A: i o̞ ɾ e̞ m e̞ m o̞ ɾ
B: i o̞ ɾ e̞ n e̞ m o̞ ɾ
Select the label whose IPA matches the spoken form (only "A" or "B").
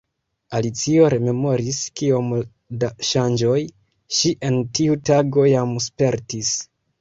A